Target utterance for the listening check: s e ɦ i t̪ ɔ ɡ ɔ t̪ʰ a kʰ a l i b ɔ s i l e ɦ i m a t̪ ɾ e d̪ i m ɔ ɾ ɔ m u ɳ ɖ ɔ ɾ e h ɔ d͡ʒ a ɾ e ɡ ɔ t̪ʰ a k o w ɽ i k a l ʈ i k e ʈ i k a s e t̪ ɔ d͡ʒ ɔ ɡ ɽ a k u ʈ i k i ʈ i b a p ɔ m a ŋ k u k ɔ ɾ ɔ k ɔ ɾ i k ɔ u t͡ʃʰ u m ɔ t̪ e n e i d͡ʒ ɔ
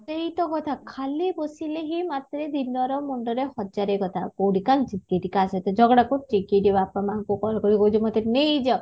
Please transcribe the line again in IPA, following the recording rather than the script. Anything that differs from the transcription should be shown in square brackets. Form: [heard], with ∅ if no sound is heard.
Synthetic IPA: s e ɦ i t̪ ɔ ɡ ɔ t̪ʰ a kʰ a l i b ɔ s i l e ɦ i m a t̪ ɾ e d̪ i [n] ɔ ɾ ɔ m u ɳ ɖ ɔ ɾ e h ɔ d͡ʒ a ɾ e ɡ ɔ t̪ʰ a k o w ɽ i k a l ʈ i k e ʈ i k a s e t̪ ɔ d͡ʒ ɔ ɡ ɽ a k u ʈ i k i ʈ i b a p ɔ m a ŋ k u k ɔ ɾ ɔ k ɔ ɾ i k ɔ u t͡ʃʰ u m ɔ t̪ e n e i d͡ʒ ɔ

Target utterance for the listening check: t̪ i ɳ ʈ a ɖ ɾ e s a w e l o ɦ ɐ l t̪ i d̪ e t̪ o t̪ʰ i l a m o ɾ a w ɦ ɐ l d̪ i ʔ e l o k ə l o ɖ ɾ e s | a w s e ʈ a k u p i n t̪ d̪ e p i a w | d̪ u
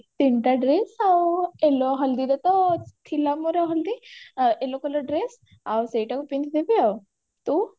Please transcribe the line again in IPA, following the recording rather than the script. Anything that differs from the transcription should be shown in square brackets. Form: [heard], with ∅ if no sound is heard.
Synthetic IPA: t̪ i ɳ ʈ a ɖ ɾ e s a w e l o ɦ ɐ l [d̪] i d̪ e t̪ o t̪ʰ i l a m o ɾ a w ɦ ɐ l d̪ i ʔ e l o k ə l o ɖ ɾ e s | a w s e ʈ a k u p i n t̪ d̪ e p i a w | [t̪] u

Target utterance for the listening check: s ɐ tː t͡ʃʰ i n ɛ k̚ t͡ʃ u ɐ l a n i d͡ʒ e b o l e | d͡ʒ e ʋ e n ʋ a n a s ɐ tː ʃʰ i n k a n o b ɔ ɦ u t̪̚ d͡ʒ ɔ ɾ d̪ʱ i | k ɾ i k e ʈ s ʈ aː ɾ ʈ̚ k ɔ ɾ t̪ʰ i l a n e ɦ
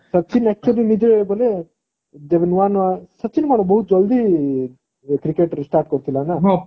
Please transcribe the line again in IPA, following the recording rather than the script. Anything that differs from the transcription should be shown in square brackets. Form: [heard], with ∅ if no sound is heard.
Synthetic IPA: s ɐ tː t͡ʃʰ i n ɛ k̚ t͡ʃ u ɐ l [i] n i d͡ʒ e b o l e | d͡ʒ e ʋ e n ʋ a n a s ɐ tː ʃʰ i n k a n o b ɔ ɦ u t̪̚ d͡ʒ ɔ [l] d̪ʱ i | k ɾ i k e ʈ s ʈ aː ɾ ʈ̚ k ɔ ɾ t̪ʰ i l a n [a] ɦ

